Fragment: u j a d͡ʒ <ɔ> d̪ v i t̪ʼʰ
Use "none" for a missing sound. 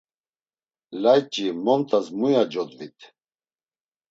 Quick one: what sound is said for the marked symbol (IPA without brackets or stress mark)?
ɔ